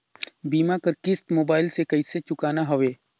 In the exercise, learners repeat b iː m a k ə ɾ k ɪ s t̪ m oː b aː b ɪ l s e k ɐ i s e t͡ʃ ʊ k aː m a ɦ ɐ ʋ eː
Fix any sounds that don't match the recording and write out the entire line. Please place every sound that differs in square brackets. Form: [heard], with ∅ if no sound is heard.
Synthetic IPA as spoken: b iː m a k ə ɾ k ɪ s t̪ m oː b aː [∅] ɪ l s e k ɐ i s e t͡ʃ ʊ k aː [n] a ɦ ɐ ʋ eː